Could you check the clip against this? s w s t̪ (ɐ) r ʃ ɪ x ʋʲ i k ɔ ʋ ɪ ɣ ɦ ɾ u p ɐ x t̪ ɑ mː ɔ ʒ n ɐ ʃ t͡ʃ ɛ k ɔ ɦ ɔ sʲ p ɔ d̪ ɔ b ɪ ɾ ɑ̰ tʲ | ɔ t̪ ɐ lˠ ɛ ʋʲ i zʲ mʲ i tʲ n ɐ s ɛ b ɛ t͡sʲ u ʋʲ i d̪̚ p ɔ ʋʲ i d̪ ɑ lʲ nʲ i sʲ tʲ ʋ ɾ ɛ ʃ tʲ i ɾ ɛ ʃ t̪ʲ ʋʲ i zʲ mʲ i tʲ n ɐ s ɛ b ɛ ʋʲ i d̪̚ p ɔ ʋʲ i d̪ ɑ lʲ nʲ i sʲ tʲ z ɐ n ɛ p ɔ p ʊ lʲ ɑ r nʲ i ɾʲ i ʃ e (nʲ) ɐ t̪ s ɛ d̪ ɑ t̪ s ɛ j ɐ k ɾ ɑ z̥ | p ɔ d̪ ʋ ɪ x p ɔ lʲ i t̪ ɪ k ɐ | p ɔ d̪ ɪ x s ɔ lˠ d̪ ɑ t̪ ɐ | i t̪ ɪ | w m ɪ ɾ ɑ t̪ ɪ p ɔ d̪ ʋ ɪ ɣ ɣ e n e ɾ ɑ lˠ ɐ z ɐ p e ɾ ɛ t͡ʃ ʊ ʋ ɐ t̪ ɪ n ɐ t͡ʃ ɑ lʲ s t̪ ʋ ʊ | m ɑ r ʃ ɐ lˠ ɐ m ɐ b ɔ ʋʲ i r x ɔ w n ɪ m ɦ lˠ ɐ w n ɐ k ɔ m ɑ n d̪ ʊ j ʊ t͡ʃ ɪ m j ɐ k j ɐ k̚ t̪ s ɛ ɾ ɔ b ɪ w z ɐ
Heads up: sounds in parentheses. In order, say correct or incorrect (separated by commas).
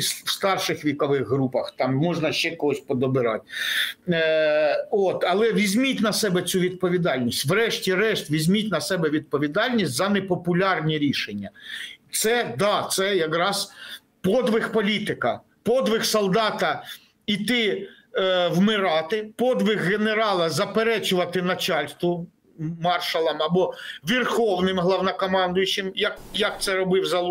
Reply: incorrect, incorrect